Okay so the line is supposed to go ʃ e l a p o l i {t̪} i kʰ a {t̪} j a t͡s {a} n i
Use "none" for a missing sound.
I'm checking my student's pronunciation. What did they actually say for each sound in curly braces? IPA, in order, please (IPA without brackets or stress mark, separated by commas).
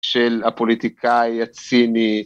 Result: t̪, none, i